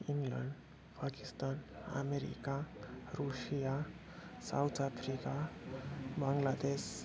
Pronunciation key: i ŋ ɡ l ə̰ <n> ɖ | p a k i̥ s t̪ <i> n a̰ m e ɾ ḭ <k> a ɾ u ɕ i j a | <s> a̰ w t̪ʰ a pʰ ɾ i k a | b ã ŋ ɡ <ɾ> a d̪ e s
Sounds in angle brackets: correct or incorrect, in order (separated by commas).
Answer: incorrect, incorrect, correct, correct, incorrect